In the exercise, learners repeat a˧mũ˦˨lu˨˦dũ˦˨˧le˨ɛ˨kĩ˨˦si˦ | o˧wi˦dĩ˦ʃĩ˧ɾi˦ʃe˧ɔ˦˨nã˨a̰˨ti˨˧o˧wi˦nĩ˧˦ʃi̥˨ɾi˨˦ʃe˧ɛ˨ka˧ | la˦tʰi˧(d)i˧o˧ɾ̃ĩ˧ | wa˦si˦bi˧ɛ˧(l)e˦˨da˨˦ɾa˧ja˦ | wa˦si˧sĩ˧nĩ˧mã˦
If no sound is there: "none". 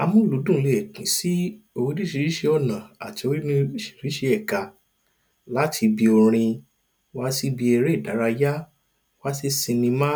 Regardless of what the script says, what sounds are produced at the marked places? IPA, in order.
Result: b, ɾ

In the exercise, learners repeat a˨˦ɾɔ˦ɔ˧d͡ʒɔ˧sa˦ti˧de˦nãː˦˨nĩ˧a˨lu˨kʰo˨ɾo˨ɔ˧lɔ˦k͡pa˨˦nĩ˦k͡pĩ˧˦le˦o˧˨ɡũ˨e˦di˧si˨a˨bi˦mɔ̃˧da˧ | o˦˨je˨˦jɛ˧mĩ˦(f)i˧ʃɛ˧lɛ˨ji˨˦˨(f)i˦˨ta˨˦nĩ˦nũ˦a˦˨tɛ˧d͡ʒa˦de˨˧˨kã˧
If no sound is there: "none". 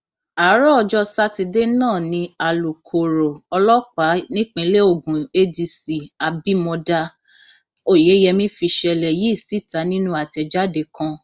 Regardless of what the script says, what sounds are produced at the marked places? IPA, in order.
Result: f, s

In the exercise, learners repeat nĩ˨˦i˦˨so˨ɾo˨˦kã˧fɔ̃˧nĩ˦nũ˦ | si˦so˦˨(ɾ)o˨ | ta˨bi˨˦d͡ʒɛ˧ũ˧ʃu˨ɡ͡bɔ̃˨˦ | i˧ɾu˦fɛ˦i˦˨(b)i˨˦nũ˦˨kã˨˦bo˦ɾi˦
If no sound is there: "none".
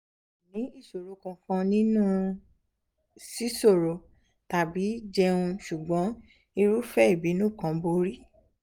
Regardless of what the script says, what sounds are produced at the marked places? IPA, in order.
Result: ɾ, b

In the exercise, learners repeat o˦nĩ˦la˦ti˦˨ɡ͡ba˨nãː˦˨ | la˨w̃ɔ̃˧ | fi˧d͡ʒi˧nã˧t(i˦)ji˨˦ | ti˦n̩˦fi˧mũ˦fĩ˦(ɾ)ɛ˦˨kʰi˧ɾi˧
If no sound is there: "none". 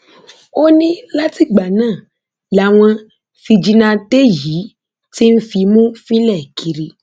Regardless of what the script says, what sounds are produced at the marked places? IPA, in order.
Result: e˦, l

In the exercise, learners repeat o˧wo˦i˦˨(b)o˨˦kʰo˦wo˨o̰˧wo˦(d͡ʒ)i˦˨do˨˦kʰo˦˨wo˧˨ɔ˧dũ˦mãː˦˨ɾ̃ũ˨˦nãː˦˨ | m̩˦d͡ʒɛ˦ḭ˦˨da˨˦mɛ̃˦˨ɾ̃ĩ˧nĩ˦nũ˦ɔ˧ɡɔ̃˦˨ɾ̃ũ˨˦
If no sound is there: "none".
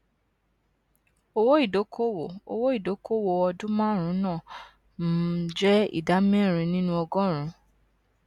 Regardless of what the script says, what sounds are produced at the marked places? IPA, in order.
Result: d, none

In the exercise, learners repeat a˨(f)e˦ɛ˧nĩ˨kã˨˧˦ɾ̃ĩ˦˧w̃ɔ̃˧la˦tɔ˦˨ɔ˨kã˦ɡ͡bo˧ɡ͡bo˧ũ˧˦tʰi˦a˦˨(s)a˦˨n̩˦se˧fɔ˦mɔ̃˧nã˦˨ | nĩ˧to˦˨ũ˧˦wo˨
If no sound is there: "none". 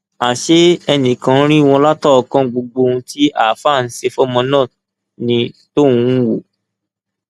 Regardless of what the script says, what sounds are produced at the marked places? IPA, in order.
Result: ʃ, f

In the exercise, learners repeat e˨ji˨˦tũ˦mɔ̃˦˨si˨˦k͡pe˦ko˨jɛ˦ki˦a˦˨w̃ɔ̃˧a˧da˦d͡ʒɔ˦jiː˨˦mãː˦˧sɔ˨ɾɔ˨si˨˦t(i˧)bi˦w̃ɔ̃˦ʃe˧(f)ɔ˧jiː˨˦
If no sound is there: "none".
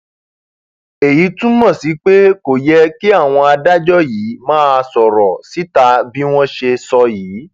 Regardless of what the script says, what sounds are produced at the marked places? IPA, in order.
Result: a˧, s

